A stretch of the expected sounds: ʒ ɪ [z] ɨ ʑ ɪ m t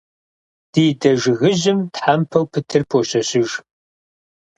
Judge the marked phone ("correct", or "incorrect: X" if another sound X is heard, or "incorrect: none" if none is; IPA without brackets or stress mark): incorrect: ɣ